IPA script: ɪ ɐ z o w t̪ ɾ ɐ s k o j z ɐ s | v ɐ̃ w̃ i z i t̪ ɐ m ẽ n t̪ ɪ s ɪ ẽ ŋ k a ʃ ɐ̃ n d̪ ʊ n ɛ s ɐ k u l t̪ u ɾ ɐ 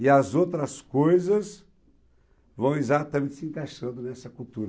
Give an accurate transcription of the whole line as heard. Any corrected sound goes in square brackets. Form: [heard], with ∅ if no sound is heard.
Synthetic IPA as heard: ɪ ɐ z o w t̪ ɾ ɐ s k o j z ɐ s | v ɐ̃ w̃ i z [a] t̪ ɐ m ẽ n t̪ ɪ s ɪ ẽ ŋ k a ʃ ɐ̃ n d̪ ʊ n ɛ s ɐ k u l t̪ u ɾ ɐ

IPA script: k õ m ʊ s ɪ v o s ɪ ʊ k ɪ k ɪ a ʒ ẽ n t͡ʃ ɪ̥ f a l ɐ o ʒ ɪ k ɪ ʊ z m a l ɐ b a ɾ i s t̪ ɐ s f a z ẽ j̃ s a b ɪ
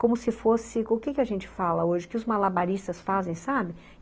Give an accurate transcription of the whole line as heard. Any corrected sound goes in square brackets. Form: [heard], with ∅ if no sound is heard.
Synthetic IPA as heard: k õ m ʊ s ɪ [f] o s ɪ ʊ k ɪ k ɪ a ʒ ẽ n t͡ʃ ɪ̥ f a l ɐ o ʒ ɪ k ɪ ʊ z m a l [a] b a ɾ i s t̪ ɐ s f a z ẽ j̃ s a b ɪ

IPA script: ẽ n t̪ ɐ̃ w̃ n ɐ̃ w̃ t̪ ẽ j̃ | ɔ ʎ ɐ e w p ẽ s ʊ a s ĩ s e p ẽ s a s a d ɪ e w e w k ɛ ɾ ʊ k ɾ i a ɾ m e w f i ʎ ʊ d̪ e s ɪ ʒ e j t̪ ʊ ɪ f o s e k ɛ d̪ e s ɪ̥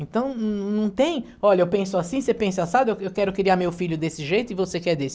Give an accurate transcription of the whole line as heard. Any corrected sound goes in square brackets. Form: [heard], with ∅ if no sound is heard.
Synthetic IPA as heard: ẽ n t̪ ɐ̃ w̃ n ɐ̃ w̃ t̪ ẽ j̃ | ɔ ʎ ɐ e w p ẽ s ʊ a s ĩ s e p ẽ s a s a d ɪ e w e w k ɛ ɾ ʊ k ɾ i a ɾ m e w f i ʎ ʊ d̪ e s ɪ ʒ e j t̪ ʊ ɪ [v] o s e k ɛ d̪ e s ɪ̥

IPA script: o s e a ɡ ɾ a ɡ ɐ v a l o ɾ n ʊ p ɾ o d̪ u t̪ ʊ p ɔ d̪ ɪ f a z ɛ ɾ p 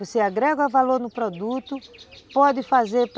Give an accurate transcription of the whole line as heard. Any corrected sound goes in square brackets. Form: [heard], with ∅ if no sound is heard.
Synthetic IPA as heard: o s e a ɡ ɾ [ɛ] ɡ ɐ v a l o ɾ n ʊ p ɾ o d̪ u t̪ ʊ p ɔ d̪ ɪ f a z [e] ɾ p

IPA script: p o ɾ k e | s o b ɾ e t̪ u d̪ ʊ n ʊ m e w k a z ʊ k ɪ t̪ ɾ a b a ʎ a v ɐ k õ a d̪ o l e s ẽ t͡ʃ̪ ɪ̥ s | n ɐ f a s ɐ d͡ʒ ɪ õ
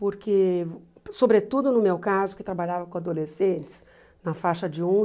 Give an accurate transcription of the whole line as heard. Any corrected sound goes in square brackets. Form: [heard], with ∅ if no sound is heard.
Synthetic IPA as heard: p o ɾ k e | s o b ɾ e t̪ u d̪ ʊ n ʊ m e w k a z ʊ k ɪ t̪ ɾ a b a ʎ a v ɐ k õ a d̪ o l e s ẽ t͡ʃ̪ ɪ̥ s | n ɐ f a [ʃ] ɐ d͡ʒ ɪ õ

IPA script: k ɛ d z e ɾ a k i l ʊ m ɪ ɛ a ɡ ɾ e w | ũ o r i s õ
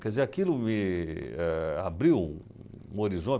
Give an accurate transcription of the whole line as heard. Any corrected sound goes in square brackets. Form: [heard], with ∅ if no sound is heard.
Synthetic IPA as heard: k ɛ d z e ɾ a k i l ʊ m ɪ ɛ a [b] ɾ [i] w | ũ o [ɾ] i [z] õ

